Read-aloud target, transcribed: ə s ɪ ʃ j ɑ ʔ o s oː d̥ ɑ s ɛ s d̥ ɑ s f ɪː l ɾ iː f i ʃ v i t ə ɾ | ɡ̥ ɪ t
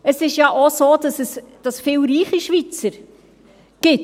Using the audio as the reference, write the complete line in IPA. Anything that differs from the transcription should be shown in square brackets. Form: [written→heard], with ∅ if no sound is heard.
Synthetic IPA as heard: ə s ɪ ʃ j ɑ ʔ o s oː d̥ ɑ s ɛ s d̥ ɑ s f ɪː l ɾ iː [f→χ] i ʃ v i [t→t͡s] ə ɾ | ɡ̥ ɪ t